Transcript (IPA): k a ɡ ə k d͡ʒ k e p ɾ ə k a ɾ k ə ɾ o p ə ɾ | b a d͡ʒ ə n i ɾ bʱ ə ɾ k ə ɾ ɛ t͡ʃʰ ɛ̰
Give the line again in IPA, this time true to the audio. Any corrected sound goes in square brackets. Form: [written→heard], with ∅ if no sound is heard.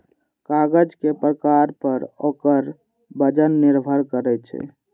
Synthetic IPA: k a ɡ ə [k→∅] d͡ʒ k e p ɾ ə k a ɾ [k→p] ə ɾ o [p→k] ə ɾ | b [a→ə] d͡ʒ ə [n→nː] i ɾ bʱ ə ɾ k ə ɾ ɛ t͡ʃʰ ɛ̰